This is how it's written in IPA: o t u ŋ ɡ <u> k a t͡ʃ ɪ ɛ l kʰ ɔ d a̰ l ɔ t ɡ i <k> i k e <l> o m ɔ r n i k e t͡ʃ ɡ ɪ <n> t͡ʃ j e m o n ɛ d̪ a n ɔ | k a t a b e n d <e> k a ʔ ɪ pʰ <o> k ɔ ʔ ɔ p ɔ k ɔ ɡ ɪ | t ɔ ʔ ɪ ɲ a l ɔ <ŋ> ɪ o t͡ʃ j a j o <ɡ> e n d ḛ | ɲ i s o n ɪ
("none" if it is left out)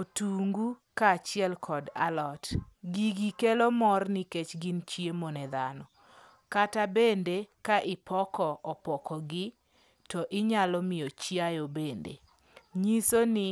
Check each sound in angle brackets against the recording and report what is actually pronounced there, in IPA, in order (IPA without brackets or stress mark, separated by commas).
u, ɡ, l, n, e, ɔ, m, b